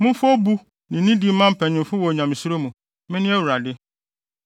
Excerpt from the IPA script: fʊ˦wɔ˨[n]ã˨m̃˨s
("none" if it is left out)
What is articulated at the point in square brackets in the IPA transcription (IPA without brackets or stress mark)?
ɲ